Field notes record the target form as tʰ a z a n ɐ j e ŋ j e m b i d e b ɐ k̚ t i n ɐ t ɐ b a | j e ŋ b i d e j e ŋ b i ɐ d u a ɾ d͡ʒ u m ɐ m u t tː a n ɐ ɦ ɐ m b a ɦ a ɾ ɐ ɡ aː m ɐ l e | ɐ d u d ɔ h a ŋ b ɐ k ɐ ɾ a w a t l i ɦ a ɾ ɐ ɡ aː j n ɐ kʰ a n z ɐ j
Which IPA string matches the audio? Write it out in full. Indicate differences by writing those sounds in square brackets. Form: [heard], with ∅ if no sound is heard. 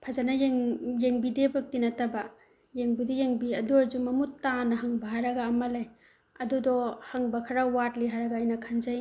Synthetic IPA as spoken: [pʰ] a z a n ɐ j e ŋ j e [ŋ] b i d e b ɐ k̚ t i n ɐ t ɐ b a | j e ŋ b i d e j e ŋ b i ɐ d u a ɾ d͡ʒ u m ɐ m u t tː a n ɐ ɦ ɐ [ŋ] b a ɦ a ɾ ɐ ɡ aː m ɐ l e | ɐ d u d ɔ h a ŋ b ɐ [kʰ] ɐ ɾ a w a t l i ɦ a ɾ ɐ ɡ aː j n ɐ kʰ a n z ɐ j